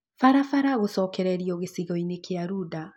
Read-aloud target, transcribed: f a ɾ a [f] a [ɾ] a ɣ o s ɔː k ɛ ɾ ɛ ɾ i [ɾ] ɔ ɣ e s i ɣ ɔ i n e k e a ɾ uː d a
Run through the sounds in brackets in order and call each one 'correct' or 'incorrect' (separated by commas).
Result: correct, correct, incorrect